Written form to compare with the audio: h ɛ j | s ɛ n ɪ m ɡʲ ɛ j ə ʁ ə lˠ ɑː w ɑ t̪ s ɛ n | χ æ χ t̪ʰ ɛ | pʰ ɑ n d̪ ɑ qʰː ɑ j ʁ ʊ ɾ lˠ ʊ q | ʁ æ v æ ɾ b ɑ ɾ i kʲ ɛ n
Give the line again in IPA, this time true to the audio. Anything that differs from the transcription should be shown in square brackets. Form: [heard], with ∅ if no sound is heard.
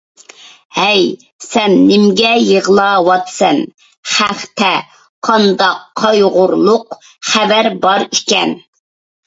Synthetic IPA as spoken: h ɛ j | s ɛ [nː] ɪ m ɡʲ ɛ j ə ʁ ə lˠ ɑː w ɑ t̪ s ɛ n | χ æ χ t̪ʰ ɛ | [qʰ] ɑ n d̪ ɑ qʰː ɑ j ʁ ʊ ɾ lˠ ʊ q | [χ] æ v æ ɾ b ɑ ɾ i kʲ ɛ n